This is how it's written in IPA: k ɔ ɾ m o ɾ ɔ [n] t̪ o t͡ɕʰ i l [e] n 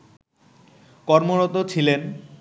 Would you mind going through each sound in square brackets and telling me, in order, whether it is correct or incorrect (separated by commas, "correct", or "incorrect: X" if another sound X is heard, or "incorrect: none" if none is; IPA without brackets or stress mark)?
incorrect: none, correct